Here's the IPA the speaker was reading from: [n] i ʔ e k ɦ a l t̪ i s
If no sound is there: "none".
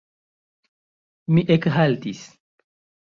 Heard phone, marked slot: m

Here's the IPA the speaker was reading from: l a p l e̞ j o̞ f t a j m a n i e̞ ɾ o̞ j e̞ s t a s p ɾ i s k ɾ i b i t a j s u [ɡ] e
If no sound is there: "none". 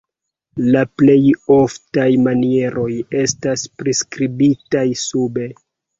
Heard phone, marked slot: b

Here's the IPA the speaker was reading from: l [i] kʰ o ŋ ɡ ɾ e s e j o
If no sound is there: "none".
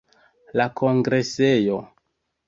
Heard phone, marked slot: a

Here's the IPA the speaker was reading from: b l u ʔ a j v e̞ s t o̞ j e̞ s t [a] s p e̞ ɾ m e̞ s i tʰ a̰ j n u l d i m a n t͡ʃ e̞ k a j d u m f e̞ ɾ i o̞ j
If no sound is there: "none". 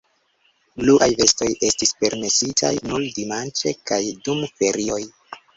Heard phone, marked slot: i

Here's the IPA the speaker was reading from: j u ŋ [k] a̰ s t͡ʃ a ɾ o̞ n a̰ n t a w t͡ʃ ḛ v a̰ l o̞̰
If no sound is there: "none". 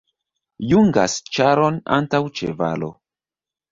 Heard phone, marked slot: ɡ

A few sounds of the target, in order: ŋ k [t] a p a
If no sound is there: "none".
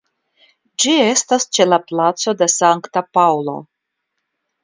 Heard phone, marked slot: t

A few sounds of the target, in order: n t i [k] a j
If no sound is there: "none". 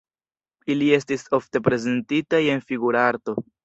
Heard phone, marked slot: t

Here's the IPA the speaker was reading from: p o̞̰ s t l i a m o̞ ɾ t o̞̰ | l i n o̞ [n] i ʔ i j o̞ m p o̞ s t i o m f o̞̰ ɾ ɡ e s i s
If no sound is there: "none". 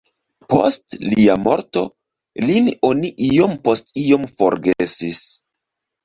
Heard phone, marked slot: n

